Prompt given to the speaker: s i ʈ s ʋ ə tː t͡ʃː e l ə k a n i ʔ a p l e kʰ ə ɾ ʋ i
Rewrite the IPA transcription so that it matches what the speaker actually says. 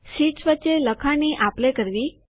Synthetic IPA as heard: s i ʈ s ʋ ə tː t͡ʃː e l ə kʰ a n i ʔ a p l e k ə ɾ ʋ i